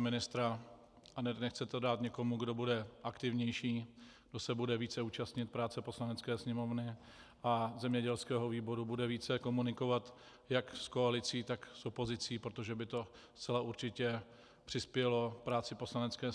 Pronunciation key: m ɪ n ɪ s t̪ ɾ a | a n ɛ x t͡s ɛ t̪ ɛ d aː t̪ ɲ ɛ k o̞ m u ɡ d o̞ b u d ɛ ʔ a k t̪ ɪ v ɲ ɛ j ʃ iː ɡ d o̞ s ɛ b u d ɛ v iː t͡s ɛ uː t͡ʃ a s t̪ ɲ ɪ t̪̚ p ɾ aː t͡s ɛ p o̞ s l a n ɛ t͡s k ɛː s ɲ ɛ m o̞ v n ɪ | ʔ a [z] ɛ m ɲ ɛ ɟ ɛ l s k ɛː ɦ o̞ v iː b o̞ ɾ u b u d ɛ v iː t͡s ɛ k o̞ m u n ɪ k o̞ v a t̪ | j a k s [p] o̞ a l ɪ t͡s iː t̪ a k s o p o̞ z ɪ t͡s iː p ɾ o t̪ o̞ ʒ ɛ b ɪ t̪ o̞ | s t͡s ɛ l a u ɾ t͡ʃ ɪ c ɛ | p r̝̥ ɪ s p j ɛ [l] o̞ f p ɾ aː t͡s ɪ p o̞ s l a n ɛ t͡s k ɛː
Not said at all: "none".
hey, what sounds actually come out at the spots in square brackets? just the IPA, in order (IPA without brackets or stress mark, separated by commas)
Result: z, k, l